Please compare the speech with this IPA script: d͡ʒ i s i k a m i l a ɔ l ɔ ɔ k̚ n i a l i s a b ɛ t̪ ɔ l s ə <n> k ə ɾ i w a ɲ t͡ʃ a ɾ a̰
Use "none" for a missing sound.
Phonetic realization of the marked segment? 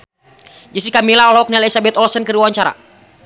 n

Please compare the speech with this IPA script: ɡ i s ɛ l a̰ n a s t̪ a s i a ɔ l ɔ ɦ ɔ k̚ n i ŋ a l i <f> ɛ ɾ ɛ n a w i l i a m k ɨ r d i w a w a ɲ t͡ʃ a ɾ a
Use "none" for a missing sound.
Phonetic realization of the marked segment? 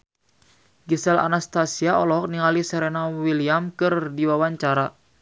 s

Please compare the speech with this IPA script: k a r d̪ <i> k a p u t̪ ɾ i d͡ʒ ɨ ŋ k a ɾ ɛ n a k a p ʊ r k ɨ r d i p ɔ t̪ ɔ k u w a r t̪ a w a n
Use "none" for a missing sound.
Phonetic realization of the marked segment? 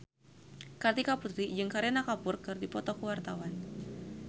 i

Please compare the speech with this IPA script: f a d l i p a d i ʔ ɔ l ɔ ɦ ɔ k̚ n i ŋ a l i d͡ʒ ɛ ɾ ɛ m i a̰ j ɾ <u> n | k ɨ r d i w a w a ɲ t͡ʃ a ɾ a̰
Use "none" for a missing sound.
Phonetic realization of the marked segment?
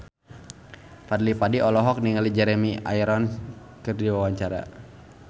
ɔ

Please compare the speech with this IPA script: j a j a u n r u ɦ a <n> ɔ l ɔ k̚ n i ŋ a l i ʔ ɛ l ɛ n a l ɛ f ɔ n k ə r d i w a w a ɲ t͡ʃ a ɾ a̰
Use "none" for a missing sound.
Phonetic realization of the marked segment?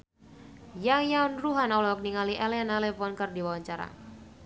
n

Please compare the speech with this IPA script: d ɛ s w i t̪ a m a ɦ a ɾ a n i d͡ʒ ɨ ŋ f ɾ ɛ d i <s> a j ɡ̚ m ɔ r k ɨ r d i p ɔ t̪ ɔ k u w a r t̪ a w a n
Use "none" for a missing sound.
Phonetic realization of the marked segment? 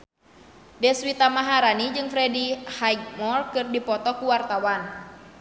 h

